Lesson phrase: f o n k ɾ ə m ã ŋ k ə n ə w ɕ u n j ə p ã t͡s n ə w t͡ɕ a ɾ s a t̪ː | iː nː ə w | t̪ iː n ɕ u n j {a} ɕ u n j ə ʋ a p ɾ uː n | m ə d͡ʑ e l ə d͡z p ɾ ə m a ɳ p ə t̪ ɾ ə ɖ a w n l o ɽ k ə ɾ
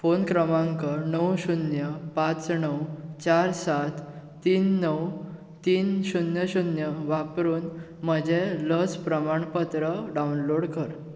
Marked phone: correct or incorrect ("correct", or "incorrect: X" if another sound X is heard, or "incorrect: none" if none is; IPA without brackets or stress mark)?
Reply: incorrect: ə